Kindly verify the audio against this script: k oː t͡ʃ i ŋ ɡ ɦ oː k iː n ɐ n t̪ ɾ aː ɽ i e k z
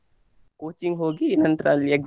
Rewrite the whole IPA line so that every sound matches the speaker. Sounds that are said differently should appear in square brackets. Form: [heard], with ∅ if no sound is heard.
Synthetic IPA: k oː t͡ʃ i ŋ ɡ ɦ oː [ɡ] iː n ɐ n t̪ ɾ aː [l] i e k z